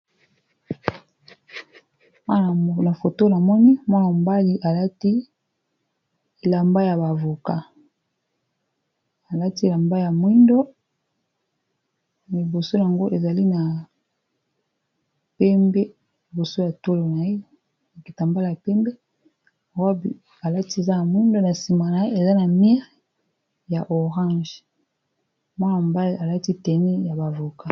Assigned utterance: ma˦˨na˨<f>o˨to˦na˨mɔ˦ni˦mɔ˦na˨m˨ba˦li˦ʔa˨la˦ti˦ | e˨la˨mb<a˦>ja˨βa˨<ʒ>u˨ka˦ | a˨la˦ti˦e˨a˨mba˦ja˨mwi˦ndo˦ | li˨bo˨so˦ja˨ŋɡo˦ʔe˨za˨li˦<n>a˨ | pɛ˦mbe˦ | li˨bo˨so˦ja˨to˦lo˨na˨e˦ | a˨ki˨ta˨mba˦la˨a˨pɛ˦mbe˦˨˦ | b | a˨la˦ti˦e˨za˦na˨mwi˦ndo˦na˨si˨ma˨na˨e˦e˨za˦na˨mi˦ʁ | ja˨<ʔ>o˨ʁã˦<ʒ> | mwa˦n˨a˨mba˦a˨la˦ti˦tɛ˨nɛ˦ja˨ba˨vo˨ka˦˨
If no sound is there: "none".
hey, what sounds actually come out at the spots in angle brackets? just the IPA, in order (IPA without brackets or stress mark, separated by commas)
f, a˦, v, n, ʔ, ʒ